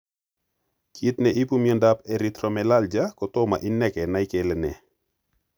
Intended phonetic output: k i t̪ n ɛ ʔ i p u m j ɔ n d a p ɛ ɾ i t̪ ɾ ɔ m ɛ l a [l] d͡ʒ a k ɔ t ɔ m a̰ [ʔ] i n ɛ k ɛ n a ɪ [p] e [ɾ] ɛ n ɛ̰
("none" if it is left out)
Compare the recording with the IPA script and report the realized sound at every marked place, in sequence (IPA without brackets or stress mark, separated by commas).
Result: l, ʔ, k, l